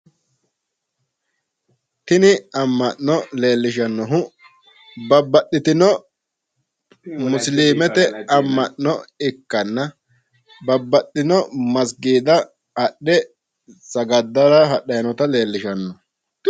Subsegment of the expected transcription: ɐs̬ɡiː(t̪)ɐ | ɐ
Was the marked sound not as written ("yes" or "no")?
yes